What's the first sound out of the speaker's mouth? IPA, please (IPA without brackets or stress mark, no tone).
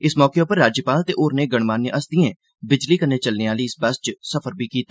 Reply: ɪ